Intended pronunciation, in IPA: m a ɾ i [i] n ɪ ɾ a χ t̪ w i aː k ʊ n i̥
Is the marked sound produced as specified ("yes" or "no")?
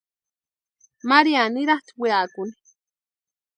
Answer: no